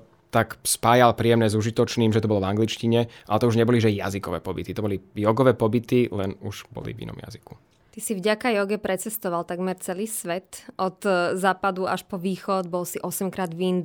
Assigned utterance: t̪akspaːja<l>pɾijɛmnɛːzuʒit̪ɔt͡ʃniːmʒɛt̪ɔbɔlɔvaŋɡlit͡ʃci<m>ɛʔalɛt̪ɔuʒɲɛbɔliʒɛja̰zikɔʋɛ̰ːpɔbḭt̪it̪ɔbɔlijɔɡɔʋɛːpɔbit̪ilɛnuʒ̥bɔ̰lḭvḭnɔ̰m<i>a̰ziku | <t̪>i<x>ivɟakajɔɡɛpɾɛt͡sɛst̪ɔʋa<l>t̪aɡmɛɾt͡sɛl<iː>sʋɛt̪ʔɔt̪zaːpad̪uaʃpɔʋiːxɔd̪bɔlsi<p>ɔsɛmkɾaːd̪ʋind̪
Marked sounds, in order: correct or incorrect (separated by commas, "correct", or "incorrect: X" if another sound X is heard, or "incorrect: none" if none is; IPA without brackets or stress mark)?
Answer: correct, incorrect: ɲ, incorrect: j, correct, incorrect: s, correct, correct, incorrect: ʔ